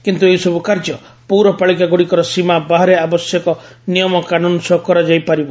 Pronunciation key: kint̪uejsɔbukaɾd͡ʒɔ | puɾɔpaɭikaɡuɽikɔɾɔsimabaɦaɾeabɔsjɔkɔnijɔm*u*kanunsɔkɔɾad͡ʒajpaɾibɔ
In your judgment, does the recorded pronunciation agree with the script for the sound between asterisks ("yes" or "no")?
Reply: no